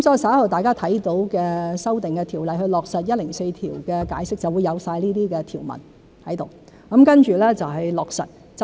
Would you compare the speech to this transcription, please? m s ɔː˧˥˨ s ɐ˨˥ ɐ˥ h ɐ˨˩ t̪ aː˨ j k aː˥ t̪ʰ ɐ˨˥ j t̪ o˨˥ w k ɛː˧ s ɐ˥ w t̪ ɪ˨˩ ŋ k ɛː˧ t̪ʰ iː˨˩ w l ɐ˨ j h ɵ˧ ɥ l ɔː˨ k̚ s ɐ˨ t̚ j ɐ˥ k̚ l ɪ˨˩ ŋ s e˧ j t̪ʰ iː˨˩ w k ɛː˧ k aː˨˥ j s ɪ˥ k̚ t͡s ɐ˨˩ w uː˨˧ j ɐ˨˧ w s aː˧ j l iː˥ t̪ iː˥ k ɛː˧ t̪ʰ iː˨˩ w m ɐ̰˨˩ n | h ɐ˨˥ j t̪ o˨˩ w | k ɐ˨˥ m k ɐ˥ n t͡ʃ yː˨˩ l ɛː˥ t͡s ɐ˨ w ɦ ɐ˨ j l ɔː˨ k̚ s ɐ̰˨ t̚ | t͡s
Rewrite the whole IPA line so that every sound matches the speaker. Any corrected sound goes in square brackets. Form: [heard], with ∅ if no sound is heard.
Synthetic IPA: m s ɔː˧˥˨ s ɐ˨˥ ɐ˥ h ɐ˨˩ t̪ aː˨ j k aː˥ t̪ʰ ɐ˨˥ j t̪ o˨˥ w k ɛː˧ s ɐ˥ w t̪ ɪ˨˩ ŋ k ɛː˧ t̪ʰ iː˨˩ w l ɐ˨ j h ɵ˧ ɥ l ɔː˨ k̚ s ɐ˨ t̚ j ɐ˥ [t̚] l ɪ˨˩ ŋ s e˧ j t̪ʰ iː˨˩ w k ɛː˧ k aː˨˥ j s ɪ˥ k̚ t͡s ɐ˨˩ w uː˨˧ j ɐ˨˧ w s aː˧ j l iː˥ t̪ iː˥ k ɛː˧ t̪ʰ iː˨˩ w m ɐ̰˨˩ n | h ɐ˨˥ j t̪ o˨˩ w | k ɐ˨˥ m k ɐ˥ n t͡ʃ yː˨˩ l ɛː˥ t͡s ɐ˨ w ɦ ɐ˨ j l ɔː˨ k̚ s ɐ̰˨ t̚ | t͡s

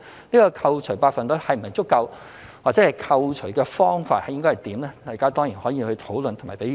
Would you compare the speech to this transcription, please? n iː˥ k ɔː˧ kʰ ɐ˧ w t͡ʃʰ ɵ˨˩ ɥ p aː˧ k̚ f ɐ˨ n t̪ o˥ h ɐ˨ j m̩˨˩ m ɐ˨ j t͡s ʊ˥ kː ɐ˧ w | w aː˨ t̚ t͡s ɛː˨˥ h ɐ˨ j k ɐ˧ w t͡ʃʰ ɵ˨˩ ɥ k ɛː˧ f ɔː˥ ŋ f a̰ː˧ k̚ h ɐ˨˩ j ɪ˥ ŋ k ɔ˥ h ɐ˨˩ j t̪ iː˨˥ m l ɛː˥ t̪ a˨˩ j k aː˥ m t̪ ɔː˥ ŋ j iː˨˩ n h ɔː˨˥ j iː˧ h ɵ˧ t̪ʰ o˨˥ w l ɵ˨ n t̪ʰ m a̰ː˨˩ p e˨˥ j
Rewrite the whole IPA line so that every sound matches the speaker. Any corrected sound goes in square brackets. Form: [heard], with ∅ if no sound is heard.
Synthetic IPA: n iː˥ k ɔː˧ kʰ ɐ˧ w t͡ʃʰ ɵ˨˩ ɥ p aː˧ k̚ f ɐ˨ n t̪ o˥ h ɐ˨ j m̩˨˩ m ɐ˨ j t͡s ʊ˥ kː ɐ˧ w | w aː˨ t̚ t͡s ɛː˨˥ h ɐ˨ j [kʰ] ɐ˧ w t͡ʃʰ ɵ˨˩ ɥ k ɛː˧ f ɔː˥ ŋ f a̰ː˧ [t̚] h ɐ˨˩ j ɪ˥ ŋ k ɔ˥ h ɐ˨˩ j t̪ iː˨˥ m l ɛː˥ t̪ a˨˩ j k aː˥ [∅] t̪ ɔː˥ ŋ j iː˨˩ n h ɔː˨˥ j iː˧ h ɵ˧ t̪ʰ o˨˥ w l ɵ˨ n t̪ʰ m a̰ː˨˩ p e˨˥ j

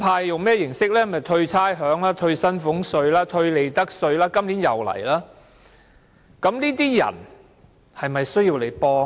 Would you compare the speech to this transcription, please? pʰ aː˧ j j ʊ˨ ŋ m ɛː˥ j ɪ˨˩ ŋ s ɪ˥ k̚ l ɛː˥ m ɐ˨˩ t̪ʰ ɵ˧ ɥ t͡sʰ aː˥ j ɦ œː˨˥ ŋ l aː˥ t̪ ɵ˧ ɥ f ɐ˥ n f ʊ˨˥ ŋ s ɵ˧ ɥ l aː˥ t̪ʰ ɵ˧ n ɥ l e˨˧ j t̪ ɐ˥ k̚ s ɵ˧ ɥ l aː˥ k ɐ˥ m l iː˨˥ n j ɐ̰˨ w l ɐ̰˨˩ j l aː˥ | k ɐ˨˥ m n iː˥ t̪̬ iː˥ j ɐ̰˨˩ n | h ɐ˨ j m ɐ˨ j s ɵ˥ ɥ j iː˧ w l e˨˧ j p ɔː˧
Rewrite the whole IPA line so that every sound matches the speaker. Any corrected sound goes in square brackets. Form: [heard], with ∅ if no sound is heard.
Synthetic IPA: pʰ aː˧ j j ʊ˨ ŋ m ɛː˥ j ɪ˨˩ ŋ s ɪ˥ k̚ l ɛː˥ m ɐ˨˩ t̪ʰ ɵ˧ ɥ t͡sʰ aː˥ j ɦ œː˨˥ ŋ l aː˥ [t̪ʰ] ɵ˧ ɥ [s] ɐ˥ n f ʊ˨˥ ŋ s ɵ˧ ɥ l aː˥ t̪ʰ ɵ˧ [∅] ɥ l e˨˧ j t̪ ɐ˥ k̚ s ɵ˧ ɥ l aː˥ k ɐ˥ m l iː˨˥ n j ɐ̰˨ w l ɐ̰˨˩ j l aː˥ | k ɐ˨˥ m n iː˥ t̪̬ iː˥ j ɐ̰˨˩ n | h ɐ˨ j m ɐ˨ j s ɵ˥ ɥ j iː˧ w l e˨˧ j p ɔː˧

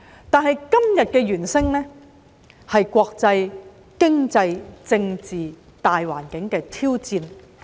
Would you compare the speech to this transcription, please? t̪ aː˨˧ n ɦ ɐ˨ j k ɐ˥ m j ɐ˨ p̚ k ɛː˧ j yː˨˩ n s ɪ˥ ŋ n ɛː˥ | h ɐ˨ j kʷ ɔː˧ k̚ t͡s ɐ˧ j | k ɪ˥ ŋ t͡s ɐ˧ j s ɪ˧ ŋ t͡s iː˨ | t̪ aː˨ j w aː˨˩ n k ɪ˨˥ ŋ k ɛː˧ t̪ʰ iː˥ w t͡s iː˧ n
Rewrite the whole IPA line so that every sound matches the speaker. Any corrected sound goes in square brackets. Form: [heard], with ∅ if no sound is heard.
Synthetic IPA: t̪ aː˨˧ n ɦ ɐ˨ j k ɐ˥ m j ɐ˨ [t̚] k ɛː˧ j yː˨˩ n s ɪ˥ ŋ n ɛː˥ | h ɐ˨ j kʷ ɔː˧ k̚ t͡s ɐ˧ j | k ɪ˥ ŋ t͡s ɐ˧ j [t͡s] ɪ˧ ŋ t͡s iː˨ | t̪ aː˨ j w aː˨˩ n k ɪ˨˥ ŋ k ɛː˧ t̪ʰ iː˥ w t͡s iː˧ n

